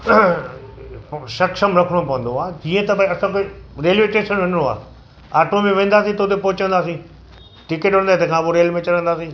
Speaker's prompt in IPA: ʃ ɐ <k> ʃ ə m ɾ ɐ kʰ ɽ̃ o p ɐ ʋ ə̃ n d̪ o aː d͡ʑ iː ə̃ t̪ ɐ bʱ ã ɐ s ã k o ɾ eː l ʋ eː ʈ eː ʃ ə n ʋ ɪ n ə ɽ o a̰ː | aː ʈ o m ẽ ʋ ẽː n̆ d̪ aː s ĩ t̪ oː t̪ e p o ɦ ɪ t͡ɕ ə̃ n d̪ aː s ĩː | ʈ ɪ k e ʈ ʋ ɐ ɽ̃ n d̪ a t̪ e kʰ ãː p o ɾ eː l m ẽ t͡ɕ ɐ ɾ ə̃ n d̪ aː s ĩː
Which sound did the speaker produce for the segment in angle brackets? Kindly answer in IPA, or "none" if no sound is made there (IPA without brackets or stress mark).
k